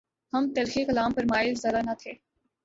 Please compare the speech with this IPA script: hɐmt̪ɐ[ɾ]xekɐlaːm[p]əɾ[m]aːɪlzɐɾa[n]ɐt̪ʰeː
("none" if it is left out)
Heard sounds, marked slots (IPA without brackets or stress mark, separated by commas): l, p, m, n